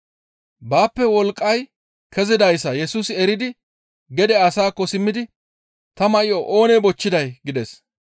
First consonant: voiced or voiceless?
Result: voiced